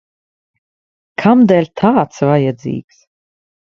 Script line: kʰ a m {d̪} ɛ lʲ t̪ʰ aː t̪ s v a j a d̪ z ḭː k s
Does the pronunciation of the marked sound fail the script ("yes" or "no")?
no